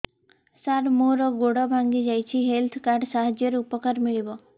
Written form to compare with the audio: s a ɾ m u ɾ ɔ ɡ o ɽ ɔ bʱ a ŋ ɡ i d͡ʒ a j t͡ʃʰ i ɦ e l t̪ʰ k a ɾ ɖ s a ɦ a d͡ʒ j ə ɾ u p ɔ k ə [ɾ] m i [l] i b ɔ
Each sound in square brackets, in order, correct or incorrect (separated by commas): correct, incorrect